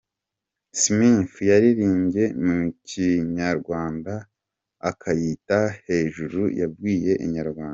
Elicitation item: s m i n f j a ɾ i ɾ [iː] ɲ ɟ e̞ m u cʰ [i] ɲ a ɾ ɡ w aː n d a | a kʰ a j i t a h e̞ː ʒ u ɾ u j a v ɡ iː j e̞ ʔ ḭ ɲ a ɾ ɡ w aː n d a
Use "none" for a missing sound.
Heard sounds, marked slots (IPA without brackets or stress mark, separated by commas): iː, i